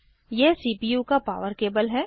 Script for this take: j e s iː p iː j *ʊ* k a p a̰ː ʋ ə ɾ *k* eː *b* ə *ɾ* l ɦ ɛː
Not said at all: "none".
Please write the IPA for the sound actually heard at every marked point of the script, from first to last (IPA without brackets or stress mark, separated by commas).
u, k, b, none